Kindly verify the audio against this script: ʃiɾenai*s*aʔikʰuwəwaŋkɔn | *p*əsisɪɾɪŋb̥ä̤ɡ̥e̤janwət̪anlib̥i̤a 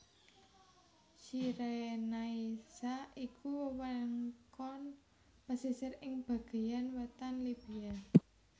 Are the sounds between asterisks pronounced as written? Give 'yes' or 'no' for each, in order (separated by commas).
yes, yes